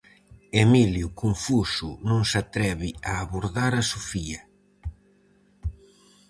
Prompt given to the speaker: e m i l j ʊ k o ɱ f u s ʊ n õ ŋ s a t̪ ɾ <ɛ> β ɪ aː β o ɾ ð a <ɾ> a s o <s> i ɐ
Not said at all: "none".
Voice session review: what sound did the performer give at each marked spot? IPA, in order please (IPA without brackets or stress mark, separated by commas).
ɛ, ɾ, f